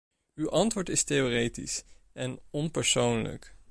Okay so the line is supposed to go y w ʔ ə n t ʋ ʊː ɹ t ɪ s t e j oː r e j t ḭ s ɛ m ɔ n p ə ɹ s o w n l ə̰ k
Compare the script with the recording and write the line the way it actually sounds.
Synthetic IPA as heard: y w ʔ ɑ n t ʋ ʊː ɹ t ɪ s t e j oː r e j t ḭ s ɛ n ɔ n p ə ɹ s o w n l ə̰ k

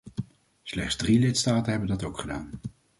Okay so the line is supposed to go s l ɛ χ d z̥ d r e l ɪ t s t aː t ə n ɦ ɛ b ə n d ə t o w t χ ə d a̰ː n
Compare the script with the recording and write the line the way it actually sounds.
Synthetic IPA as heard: s l ɛ χ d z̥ d r i l ɪ t s t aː t ə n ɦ ɛ b ə n d ɑ t o w k χ ə d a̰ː n

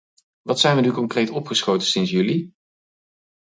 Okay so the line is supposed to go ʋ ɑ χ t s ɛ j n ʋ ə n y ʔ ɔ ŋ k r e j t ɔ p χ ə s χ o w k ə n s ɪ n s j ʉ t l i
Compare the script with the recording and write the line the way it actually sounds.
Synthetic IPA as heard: ʋ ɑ t s ɛ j n ʋ ə n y k ɔ ŋ k r e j t ɔ p χ ə s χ o w t ə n s ɪ n s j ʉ l i

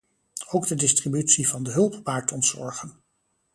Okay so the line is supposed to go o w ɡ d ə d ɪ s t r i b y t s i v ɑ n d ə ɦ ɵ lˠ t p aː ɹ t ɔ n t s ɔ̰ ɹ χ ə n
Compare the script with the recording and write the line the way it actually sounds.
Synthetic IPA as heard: o w ɡ d ə d ɪ s t r i b y t s i v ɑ n d ə ɦ ɵ lˠ p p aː ɹ t ɔ n t s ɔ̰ ɹ χ ə n

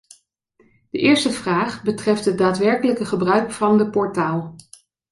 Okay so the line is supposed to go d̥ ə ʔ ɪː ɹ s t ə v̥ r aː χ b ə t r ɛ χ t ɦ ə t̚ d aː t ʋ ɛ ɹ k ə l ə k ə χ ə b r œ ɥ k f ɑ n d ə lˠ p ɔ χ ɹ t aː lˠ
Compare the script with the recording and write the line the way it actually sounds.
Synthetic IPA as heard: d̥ ə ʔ ɪː ɹ s t ə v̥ r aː χ b ə t r ɛ f t ɦ ə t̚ d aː t ʋ ɛ ɹ k ə l ə k ə χ ə b r œ ɥ k f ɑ n d ə p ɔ ɹ t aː lˠ

